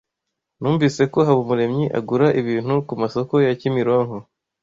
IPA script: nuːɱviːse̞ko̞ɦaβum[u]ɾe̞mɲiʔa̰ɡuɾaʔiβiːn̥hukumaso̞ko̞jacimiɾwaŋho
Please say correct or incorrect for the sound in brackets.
correct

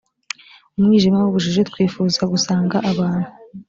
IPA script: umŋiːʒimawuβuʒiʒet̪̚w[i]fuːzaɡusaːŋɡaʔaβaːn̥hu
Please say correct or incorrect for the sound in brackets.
incorrect: iː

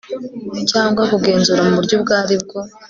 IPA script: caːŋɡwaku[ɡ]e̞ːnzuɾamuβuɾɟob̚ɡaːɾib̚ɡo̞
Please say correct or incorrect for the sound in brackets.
correct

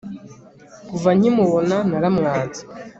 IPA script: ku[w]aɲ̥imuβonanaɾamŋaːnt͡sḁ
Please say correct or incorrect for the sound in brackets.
incorrect: v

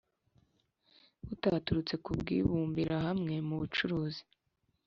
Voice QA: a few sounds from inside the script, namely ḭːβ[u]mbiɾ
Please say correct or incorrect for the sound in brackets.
incorrect: uː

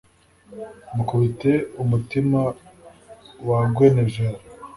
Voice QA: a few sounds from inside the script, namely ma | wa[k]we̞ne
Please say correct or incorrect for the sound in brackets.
incorrect: ɡ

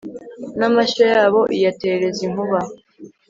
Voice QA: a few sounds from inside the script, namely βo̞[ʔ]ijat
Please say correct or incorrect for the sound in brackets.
correct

